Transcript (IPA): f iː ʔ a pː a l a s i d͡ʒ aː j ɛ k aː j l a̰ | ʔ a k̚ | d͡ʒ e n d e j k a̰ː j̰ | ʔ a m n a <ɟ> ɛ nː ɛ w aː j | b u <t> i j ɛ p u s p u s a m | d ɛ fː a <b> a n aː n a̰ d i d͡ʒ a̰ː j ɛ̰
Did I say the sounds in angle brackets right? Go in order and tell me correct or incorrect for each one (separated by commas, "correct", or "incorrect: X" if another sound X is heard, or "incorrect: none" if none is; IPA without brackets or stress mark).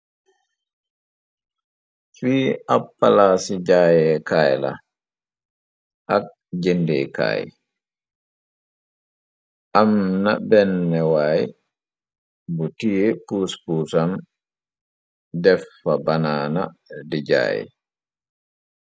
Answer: incorrect: b, correct, correct